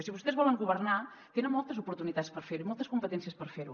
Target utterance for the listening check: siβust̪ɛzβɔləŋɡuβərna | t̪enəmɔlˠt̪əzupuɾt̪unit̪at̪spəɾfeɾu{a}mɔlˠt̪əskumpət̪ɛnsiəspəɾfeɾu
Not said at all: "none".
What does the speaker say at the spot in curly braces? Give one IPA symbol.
i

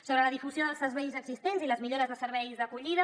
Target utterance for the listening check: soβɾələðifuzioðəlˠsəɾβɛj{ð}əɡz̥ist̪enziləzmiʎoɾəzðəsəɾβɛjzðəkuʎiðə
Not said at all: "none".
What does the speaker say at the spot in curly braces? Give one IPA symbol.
z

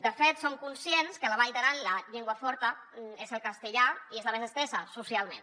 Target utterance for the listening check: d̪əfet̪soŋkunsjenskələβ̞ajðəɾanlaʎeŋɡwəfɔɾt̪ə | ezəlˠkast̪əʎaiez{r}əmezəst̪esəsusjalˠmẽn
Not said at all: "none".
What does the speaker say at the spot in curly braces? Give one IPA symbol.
l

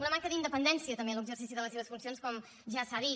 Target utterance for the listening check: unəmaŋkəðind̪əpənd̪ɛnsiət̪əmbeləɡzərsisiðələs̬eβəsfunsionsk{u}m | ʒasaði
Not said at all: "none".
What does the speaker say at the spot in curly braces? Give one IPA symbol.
ɔ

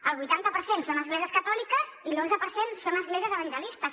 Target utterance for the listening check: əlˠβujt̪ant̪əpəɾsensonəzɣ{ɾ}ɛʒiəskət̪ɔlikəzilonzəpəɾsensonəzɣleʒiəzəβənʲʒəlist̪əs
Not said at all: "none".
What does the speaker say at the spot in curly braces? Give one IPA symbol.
l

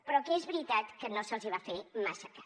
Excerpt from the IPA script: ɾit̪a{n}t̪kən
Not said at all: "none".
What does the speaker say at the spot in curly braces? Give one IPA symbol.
none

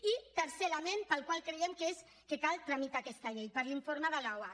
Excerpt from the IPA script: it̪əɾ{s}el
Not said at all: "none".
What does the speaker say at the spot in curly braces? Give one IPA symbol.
s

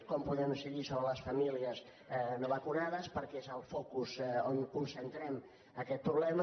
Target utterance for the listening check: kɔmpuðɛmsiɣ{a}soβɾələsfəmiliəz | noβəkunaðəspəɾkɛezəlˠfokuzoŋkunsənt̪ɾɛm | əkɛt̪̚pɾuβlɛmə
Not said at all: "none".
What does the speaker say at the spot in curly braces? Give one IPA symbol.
i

